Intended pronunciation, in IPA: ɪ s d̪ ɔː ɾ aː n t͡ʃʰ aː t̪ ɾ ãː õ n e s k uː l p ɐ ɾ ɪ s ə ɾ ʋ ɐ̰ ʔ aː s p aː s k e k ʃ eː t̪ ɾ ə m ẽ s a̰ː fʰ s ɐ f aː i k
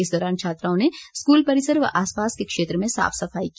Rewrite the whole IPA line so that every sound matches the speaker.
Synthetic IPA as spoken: ɪ s d̪ ɔː ɾ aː n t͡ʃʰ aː t̪ ɾ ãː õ n e s k uː l p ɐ ɾ ɪ s ə ɾ ʋ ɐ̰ ʔ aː s p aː s k e k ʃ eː t̪ ɾ ə m ẽ s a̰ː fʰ s ɐ f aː i k